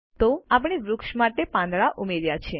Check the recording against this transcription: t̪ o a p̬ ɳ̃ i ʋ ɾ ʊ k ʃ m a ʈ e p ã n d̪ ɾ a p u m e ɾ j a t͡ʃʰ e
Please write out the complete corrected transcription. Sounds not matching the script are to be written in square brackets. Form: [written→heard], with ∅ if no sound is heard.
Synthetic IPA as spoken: t̪ o a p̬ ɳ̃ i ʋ ɾ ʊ k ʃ m a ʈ e p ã n d̪ [ɾ→ɭ] a [p→ʔ] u m e ɾ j a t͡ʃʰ e

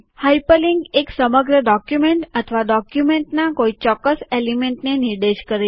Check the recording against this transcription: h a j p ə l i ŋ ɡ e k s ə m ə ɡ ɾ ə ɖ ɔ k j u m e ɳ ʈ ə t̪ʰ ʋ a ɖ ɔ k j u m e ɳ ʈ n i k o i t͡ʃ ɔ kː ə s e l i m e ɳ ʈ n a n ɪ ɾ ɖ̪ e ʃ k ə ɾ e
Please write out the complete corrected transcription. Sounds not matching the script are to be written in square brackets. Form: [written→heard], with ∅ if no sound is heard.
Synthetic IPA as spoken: h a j p ə l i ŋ ɡ e k s ə m ə ɡ ɾ ə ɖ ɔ k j u m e ɳ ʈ ə t̪ʰ ʋ a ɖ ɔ k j u m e ɳ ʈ n [i→a] k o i t͡ʃ ɔ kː ə s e l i m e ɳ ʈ n [a→e] n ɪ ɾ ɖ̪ e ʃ k ə ɾ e

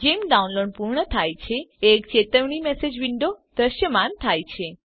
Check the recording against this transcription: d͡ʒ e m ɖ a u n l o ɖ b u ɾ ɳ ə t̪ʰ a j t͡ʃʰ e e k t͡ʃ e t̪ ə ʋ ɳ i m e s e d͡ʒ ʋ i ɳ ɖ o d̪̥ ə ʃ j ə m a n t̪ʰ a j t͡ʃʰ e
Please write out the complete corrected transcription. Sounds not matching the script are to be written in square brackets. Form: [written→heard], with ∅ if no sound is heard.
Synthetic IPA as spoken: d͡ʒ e m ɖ a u n l o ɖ [b→p] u ɾ ɳ ə t̪ʰ a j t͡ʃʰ e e k t͡ʃ e t̪ ə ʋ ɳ i m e s e d͡ʒ ʋ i ɳ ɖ o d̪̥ ə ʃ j ə m a n t̪ʰ a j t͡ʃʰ e

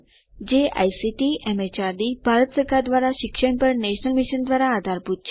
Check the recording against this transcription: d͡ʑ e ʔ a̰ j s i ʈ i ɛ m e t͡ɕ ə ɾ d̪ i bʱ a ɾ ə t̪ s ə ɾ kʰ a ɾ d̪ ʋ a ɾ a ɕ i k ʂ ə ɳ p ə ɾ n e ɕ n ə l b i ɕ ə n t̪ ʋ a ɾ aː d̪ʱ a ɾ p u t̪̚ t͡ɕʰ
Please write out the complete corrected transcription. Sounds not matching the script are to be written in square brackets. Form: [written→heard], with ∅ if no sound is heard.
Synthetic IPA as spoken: d͡ʑ e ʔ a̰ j s i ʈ i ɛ m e t͡ɕ [ə→a] ɾ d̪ i bʱ a ɾ ə t̪ s ə ɾ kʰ a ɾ d̪ ʋ a ɾ a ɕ i k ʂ ə ɳ p ə ɾ n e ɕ n ə l [b→m] i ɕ ə n [t̪→d̪] ʋ a ɾ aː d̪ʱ a ɾ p u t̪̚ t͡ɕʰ

